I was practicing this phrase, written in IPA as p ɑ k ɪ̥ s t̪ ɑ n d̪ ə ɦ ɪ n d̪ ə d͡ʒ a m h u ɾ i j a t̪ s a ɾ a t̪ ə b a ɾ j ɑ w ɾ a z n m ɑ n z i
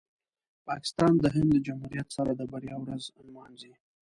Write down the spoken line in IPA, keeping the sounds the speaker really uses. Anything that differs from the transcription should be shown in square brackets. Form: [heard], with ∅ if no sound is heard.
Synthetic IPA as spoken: p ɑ k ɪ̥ s t̪ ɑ n d̪ ə ɦ ɪ n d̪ ə d͡ʒ a m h u ɾ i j a t̪ s a ɾ a [d̪] ə b a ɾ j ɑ w ɾ a z n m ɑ n z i

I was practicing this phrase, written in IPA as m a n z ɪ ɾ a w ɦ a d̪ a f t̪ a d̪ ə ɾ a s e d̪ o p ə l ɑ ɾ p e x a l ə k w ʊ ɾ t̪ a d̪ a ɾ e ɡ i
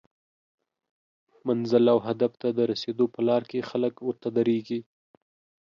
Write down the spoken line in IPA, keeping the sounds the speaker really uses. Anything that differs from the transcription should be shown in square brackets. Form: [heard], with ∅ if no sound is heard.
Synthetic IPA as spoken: m a n z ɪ [l] a w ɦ a d̪ a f t̪ a d̪ ə ɾ a s e d̪ o p ə l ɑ ɾ [k] e x a l ə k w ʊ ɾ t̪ a d̪ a ɾ e ɡ i

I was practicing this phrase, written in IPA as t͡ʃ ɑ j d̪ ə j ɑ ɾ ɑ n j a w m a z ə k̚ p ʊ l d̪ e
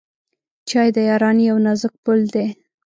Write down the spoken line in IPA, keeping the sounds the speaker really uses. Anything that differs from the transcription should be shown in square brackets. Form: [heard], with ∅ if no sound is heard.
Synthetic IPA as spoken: t͡ʃ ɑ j d̪ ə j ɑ ɾ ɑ n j a w [n] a z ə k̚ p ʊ l d̪ e

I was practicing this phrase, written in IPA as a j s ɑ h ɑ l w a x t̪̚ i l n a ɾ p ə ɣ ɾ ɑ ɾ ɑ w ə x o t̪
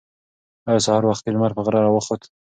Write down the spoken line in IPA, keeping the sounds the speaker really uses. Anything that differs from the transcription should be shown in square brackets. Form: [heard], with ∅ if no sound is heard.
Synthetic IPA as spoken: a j s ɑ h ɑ [ɾ] w a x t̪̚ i l [m] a ɾ p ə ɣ ɾ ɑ ɾ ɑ w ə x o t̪

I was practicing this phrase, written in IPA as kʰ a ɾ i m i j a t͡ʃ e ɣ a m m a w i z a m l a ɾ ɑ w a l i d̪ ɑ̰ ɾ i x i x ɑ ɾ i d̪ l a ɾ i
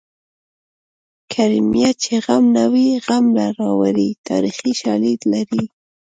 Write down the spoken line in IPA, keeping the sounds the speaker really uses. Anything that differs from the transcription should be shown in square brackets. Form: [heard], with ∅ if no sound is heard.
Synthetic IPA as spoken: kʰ a ɾ i m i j a t͡ʃ e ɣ a m [n] a w i [ɣ] a m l a ɾ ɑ w a [ɾ] i [t̪] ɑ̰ ɾ i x i [ʃ] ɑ [l] i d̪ l a ɾ i

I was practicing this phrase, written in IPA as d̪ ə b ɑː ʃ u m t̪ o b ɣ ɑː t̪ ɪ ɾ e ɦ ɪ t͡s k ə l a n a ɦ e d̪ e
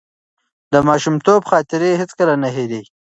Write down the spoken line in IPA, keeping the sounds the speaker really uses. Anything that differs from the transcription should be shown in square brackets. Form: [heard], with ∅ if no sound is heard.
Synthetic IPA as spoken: d̪ ə [m] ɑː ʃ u m t̪ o b [x] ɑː t̪ ɪ ɾ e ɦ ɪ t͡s k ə l a n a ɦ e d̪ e

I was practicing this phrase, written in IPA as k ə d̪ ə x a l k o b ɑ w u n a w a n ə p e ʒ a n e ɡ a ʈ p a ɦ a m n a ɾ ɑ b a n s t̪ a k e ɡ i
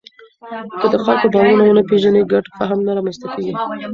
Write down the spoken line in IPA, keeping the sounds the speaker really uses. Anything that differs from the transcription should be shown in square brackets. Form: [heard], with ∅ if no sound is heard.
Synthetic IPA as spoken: k ə d̪ ə x a l k o b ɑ w u n a w [ə] n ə p e ʒ a n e ɡ a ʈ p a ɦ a m n a ɾ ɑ [m] a n s t̪ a k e ɡ i

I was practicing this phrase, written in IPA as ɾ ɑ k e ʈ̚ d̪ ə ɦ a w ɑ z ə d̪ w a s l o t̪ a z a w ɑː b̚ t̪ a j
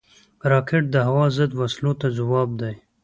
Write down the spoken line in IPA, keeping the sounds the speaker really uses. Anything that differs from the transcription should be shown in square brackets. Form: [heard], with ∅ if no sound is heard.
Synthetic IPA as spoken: ɾ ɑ k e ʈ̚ d̪ ə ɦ a w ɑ z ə d̪ w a s l o t̪ a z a w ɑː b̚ [d̪] a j

